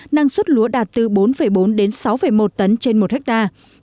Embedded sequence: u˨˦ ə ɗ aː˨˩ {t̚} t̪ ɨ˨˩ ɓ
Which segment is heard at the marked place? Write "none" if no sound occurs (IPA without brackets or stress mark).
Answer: t̚